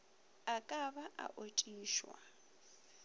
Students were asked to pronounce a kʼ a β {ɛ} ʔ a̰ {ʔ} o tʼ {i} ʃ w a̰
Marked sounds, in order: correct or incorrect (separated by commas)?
incorrect, correct, incorrect